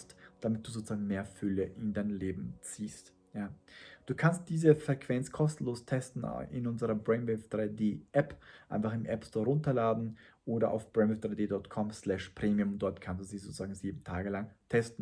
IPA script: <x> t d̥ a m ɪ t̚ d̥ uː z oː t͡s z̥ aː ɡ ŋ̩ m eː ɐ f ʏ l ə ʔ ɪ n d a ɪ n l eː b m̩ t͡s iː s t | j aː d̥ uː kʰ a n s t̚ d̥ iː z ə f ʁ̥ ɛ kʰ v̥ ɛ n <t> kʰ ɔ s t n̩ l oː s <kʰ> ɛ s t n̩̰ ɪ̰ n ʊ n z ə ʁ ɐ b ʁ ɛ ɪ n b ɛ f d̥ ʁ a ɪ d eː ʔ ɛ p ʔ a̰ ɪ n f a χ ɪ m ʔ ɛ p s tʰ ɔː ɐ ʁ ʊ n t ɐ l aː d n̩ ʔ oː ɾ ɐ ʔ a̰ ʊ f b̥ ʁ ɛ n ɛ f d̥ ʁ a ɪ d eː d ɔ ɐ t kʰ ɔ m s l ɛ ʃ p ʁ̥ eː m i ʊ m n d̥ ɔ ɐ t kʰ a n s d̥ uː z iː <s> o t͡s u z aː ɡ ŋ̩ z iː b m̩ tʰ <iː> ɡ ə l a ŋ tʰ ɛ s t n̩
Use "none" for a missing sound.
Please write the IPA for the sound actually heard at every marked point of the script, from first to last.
s, t͡s, tʰ, z, aː

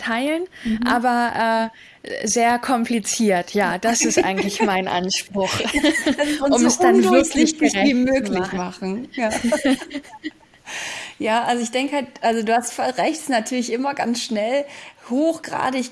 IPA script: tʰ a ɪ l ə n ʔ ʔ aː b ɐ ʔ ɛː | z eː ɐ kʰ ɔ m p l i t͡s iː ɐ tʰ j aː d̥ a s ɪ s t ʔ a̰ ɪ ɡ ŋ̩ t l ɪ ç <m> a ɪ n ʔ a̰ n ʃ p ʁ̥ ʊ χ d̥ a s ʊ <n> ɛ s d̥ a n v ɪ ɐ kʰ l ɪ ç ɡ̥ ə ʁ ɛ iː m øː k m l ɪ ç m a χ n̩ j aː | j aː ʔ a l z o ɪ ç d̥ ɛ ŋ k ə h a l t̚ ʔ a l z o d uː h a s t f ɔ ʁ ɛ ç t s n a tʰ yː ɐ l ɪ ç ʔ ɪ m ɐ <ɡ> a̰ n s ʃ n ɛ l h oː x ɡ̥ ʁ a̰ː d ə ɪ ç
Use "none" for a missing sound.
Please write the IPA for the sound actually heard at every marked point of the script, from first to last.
m, m, ɡ

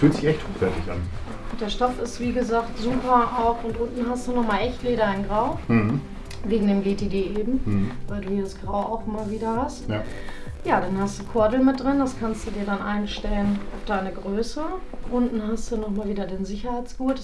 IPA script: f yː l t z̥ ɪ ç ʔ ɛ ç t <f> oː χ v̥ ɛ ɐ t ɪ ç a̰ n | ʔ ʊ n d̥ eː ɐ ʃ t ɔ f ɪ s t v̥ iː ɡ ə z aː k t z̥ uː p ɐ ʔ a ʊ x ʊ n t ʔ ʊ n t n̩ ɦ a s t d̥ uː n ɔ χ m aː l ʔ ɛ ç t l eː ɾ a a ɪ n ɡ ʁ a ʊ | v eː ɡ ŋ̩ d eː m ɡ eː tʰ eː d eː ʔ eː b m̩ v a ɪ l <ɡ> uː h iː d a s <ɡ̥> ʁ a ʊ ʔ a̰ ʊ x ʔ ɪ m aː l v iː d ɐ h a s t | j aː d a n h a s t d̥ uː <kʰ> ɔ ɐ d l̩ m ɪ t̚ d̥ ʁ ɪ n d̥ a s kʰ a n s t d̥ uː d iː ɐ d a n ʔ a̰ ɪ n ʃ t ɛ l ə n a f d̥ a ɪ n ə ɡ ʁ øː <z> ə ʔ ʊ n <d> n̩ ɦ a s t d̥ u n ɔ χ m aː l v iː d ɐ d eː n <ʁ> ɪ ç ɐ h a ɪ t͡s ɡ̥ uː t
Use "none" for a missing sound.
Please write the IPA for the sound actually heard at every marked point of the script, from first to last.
h, d, ɡ̥, kʰ, s, t, z

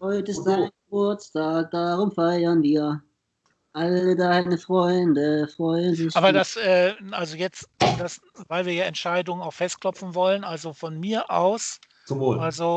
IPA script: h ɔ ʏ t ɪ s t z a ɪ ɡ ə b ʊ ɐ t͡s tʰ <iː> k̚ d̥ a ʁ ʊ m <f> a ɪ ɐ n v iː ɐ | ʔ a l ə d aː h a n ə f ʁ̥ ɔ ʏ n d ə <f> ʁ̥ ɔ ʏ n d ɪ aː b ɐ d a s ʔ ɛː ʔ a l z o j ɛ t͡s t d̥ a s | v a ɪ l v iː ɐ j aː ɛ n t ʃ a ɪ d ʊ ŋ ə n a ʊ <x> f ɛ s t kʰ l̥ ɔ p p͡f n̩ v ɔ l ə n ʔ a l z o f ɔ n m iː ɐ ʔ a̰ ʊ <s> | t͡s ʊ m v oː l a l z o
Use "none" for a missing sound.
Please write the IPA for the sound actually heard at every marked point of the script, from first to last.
aː, f, f, x, s

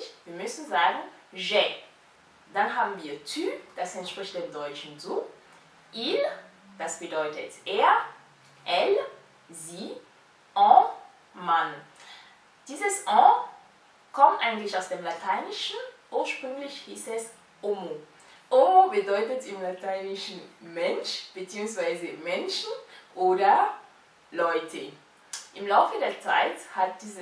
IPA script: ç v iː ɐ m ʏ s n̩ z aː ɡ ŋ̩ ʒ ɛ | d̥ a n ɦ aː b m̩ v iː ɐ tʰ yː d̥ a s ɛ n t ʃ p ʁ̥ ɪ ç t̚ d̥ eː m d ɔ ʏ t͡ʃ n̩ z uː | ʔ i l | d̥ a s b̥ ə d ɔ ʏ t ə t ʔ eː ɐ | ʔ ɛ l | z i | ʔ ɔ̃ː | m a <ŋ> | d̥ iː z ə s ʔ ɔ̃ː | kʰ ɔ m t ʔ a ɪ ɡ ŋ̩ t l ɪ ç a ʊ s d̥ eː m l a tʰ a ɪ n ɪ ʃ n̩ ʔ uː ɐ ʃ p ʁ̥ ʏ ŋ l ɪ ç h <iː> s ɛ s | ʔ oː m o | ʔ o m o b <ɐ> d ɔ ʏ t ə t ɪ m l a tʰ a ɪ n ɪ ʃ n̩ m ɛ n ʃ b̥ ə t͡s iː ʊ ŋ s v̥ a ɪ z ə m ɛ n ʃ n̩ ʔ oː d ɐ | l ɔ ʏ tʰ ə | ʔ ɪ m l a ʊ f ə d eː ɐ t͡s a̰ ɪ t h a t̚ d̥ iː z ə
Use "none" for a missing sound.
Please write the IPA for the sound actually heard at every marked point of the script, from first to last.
n, iː, ə

